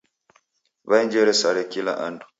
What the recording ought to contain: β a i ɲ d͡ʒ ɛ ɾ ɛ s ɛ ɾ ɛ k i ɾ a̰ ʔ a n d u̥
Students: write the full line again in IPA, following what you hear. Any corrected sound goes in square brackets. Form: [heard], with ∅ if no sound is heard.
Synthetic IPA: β a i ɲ d͡ʒ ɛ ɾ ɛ s [a] ɾ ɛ k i [l] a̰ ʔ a n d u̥